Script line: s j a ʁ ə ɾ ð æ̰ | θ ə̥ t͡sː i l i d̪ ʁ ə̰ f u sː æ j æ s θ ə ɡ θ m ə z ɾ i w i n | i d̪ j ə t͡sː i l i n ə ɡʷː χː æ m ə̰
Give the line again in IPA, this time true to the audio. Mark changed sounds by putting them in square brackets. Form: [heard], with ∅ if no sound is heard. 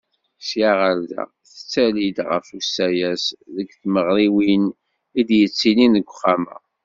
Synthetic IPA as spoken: s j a ʁ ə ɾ ð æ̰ | θ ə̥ t͡sː [æ] l i d̪ ʁ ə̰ f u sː æ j æ s [ð] ə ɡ θ m ə [ʁ] ɾ i w i n | i d̪ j ə t͡sː i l i n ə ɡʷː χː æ m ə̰